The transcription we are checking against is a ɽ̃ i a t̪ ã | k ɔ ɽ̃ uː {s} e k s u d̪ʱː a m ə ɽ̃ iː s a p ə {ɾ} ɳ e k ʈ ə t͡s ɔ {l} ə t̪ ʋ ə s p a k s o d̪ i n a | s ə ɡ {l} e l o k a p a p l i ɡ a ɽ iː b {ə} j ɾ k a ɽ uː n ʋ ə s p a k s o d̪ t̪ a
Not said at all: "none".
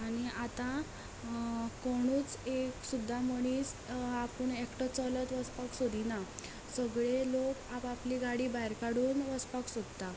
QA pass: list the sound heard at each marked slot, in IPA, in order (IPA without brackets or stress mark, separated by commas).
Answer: t͡s, none, l, ɭ, a